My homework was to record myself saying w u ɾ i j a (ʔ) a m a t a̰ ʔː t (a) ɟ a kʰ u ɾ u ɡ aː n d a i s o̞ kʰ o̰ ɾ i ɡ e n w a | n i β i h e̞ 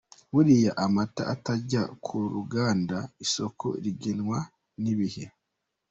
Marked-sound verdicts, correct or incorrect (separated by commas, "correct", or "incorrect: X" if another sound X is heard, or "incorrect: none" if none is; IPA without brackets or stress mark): correct, correct